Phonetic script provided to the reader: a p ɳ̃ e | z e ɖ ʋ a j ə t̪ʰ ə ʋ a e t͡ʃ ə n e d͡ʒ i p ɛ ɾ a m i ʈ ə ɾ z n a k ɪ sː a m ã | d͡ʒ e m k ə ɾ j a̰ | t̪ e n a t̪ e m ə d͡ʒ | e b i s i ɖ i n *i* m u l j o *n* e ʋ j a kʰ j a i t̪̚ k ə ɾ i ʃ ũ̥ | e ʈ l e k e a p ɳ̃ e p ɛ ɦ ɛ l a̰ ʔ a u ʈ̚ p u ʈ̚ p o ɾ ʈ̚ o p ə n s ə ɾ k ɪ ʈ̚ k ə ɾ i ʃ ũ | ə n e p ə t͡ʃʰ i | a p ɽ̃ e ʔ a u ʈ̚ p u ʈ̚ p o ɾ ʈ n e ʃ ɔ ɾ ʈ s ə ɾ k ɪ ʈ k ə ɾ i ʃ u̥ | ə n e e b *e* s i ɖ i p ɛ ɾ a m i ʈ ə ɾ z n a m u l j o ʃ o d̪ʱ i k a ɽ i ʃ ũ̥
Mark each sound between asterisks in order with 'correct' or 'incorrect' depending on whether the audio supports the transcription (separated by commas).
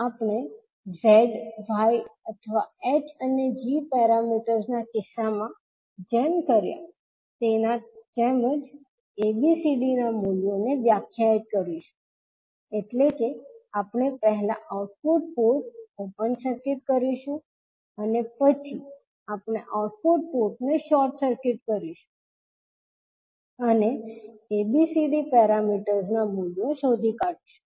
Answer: incorrect, correct, incorrect